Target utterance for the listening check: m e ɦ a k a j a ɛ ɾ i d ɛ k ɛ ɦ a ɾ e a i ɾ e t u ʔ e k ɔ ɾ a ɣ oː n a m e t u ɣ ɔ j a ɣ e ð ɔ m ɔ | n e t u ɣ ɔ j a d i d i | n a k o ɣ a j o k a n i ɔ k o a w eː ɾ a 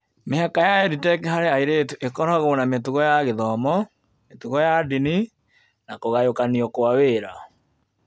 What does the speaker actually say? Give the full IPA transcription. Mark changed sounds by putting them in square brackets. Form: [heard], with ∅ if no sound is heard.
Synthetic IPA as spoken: m e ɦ a k a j a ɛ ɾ i [t] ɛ k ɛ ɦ a ɾ e a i ɾ e t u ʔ e k ɔ ɾ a ɣ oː n a m e t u ɣ ɔ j a ɣ e ð ɔ m ɔ | [m] e t u ɣ ɔ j a d i [n] i | n a k o ɣ a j o k a n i ɔ k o a w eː ɾ a